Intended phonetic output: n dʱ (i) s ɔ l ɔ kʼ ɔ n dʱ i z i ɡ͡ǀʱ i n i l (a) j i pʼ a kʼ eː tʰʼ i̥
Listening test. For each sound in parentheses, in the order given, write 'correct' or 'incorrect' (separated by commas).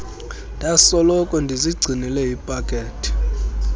incorrect, incorrect